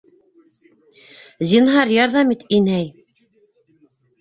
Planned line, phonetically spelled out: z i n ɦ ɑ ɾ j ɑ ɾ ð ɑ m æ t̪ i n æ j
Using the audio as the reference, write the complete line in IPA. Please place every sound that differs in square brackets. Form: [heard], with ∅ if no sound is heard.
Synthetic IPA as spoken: z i n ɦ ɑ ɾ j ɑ ɾ ð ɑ m [i] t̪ i n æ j